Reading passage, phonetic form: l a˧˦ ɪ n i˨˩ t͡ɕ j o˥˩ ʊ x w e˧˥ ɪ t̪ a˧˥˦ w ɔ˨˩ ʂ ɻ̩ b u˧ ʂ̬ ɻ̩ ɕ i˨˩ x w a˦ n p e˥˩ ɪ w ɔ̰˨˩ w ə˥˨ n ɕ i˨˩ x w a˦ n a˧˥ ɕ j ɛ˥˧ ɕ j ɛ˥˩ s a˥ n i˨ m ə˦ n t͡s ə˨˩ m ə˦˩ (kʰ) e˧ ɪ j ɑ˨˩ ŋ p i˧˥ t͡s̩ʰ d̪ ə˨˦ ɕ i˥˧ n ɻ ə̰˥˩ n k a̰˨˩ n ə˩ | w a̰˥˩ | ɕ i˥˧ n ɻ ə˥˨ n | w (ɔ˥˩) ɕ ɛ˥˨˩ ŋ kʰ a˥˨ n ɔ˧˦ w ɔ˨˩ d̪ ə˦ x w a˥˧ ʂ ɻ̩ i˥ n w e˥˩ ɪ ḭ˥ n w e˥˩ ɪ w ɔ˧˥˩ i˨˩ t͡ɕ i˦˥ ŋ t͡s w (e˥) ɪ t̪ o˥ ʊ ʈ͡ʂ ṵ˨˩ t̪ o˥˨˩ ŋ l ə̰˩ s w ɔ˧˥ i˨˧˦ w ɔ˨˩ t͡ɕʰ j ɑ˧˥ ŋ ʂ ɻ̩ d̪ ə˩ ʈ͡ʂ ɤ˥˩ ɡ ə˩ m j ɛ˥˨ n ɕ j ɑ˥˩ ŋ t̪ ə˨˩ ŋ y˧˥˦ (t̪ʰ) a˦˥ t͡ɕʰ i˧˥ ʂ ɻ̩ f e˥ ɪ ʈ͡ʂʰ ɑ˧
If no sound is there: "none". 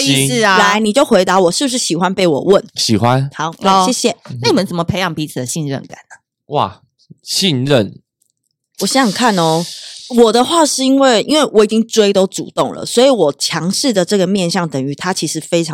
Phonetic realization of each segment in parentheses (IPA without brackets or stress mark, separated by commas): pʰ, ɔ˨˩, e˥, t̪ʰ